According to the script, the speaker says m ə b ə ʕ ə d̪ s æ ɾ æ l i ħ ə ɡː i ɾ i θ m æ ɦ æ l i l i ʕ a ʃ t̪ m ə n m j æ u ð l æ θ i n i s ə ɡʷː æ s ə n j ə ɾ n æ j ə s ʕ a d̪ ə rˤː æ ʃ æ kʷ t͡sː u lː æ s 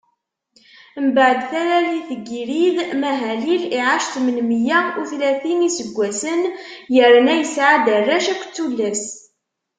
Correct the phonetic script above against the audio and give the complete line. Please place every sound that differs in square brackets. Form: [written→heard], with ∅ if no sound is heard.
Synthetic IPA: m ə b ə ʕ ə d̪ [s→θ] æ ɾ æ l i [ħ→θ] ə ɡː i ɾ i [θ→ð] m æ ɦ æ l i l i ʕ a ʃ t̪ m ə n m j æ u [ð→θ] l æ θ i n i s ə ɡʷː æ s ə n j ə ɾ n æ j ə s ʕ a d̪ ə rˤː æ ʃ æ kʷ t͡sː u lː æ s